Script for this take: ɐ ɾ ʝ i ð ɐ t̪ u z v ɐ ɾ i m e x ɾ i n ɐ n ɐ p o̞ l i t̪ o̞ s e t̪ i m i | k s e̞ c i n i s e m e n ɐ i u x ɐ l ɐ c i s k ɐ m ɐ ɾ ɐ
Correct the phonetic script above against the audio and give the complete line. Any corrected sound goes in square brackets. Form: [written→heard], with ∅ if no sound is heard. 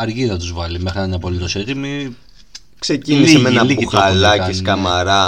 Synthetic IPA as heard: ɐ ɾ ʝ i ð ɐ t̪ u z v ɐ [ɾ→l] i m e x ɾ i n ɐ n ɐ p o̞ l i t̪ o̞ s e t̪ i m i | k s e̞ c i n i s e m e n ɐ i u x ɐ l ɐ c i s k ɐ m ɐ ɾ ɐ